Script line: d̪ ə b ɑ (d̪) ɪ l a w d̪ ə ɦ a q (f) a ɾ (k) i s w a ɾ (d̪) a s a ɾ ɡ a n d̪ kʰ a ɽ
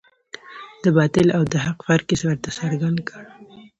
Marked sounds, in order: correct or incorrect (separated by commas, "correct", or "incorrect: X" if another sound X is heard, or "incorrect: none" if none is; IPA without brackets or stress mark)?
incorrect: t̪, correct, correct, incorrect: t̪